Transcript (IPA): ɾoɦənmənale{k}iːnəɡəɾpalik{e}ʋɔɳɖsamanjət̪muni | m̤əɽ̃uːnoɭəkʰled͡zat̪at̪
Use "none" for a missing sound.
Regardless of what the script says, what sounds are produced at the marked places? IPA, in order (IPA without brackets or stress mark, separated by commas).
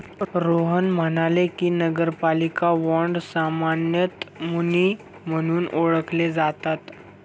k, a